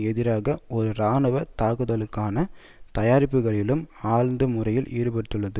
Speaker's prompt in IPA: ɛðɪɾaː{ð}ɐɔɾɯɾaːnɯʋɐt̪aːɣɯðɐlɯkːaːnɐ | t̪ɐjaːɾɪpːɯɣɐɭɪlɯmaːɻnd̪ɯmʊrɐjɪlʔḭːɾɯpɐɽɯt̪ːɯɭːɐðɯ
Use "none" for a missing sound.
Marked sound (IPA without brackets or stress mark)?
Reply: ɣ